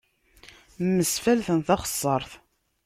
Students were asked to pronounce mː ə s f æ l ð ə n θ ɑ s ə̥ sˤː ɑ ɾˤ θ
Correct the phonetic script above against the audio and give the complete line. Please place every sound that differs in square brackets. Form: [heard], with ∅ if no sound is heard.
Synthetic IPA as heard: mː ə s f æ l [θ] ə n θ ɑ [χ] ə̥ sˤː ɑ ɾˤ θ